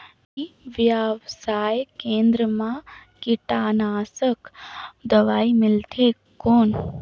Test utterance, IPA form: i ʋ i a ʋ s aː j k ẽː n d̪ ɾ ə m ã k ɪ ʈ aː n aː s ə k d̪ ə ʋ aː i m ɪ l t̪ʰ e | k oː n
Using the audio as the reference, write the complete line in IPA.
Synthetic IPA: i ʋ j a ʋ s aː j k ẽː n d̪ ɾ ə m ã k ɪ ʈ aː n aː s ə k d̪ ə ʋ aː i m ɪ l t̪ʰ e | k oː n